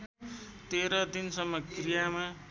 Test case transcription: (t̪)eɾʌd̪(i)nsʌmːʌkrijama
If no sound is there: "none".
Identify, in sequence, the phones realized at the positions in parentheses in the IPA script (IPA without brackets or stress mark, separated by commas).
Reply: t̪, i